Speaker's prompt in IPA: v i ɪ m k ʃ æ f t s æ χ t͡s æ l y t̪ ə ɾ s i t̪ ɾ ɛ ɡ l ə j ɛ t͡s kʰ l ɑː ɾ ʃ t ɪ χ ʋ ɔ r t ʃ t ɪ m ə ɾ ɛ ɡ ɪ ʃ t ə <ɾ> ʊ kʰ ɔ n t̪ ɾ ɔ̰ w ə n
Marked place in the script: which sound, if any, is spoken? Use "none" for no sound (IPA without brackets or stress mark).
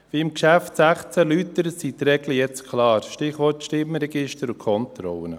ɾ